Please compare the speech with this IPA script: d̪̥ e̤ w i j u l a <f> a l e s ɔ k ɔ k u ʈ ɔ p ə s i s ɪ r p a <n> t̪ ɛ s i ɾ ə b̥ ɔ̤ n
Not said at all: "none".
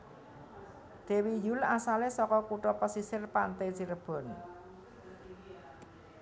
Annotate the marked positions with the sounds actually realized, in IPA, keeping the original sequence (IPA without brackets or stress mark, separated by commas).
s, n